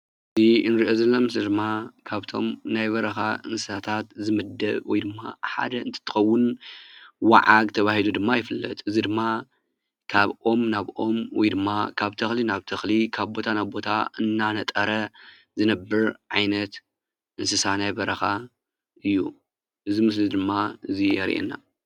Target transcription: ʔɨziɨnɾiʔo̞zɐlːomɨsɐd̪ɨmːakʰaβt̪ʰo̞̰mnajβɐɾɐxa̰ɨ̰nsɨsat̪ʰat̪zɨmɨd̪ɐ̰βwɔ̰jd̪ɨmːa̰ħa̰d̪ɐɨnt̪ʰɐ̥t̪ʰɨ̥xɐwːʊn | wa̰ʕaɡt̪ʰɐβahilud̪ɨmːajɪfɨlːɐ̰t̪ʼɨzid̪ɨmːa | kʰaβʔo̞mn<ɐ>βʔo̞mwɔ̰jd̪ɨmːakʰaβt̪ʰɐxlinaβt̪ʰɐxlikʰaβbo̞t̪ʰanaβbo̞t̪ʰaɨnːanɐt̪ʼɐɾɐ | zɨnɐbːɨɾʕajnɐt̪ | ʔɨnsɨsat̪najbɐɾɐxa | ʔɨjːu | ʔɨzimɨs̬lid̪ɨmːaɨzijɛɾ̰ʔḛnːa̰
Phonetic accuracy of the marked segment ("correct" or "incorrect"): incorrect